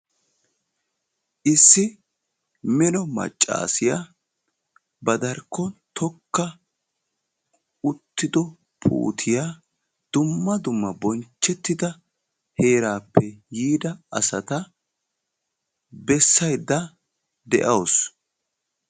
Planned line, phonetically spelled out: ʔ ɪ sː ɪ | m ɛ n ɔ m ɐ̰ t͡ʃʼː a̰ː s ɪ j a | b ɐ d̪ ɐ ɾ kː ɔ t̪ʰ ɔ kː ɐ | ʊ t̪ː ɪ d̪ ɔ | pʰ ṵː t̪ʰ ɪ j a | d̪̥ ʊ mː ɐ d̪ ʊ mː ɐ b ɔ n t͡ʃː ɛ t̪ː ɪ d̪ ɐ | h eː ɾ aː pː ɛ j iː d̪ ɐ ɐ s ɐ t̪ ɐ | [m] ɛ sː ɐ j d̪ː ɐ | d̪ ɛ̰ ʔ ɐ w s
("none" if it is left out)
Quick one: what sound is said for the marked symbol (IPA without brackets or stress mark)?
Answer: b